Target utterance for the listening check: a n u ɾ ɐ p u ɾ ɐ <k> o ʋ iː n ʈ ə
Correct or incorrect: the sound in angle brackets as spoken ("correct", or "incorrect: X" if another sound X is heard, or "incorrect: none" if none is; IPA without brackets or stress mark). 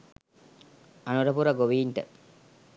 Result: incorrect: ɡ